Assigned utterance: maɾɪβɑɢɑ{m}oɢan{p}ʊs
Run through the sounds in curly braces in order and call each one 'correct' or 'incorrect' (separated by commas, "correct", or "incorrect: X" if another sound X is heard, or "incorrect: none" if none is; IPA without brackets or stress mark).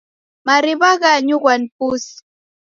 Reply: incorrect: ɲ, correct